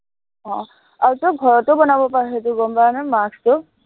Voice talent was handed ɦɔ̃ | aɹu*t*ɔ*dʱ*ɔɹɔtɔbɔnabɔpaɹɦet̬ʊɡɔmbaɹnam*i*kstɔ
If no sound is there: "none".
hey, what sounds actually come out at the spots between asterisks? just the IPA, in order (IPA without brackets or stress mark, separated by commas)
t, ɡʱ, a